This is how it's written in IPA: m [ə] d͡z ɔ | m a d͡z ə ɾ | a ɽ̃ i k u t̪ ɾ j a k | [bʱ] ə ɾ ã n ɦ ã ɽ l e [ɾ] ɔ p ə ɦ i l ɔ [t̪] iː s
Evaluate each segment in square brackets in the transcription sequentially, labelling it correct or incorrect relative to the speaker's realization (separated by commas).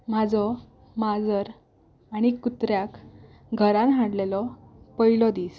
incorrect, incorrect, incorrect, incorrect